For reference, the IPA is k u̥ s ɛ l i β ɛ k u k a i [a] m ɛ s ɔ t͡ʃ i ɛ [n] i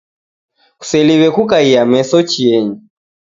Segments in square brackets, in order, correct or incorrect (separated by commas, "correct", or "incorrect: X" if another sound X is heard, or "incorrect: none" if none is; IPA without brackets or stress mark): correct, incorrect: ɲ